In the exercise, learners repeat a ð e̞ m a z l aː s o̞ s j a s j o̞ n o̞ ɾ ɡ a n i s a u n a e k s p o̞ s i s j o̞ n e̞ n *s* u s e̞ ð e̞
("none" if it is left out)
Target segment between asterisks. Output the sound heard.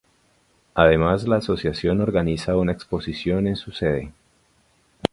s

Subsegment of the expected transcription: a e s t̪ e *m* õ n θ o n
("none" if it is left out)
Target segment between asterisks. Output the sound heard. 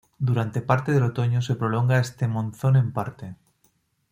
m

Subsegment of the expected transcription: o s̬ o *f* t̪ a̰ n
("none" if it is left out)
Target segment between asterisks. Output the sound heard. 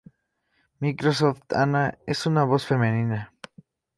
f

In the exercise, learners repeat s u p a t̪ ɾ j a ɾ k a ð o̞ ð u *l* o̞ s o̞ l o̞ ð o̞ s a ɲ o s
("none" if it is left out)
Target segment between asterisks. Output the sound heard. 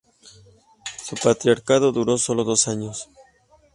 ɾ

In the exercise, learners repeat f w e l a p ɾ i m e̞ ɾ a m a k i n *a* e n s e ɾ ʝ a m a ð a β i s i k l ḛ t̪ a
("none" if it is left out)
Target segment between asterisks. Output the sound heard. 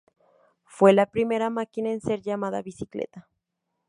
a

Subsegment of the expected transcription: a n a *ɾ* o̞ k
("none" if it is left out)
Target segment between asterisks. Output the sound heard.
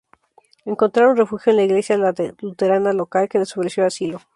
l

